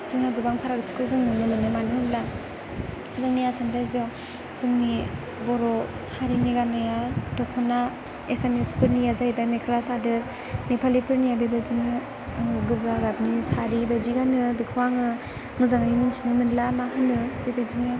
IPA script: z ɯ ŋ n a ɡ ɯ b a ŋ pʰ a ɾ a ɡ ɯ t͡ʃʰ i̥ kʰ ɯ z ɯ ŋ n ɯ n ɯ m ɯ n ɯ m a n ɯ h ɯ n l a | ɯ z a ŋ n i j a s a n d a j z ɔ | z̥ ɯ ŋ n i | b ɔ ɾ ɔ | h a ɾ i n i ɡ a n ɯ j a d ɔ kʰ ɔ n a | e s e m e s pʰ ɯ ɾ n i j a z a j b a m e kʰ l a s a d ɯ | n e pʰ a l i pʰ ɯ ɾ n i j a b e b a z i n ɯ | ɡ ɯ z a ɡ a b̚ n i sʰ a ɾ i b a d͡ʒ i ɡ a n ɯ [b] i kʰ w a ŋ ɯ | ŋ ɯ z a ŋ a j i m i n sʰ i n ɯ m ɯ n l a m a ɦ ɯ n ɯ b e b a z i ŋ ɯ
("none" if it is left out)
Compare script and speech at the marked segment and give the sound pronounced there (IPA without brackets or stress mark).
b